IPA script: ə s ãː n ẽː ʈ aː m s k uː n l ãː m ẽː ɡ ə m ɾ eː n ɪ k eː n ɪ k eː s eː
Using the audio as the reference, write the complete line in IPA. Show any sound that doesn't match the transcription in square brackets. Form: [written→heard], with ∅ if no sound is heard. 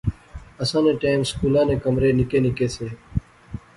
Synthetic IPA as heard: ə s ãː n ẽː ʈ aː m s k uː [n→∅] l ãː [m→n] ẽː [ɡ→k] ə m ɾ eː n ɪ k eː n ɪ k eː s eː